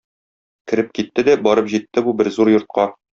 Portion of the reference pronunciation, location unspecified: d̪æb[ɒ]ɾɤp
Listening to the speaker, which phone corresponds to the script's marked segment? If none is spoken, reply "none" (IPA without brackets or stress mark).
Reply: ɒ